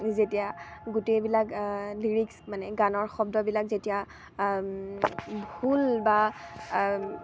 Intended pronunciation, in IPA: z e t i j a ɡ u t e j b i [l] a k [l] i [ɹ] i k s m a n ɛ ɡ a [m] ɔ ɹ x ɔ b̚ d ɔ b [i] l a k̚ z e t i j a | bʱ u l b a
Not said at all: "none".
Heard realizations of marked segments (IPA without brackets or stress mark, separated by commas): l, l, ɹ, n, i